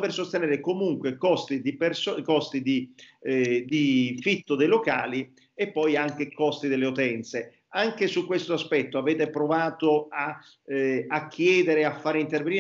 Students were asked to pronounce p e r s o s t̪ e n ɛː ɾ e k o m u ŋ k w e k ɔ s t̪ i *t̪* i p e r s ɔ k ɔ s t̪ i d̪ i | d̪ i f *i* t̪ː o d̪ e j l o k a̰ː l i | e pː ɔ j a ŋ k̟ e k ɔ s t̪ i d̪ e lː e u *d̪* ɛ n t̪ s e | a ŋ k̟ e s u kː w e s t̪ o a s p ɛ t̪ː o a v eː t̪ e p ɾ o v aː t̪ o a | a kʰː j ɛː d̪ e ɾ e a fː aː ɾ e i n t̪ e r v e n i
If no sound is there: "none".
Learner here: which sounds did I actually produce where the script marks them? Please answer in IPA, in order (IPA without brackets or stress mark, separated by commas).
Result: d̪, i, t̪